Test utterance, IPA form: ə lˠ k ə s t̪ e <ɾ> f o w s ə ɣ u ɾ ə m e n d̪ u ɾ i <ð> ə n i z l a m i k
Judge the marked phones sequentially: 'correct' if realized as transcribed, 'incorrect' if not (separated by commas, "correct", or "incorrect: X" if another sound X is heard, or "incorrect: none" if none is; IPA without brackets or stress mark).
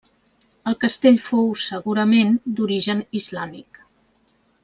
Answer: incorrect: ʎ, incorrect: ʒ